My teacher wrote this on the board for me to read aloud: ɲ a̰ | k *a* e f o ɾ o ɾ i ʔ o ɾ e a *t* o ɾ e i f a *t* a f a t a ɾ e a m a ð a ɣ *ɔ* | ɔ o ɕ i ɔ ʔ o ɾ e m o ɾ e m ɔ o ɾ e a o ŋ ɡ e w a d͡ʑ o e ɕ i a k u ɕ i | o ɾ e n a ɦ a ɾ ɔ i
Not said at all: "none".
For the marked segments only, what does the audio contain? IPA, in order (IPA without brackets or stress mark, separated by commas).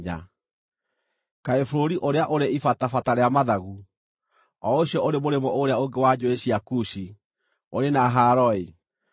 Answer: a, ʔ, t, u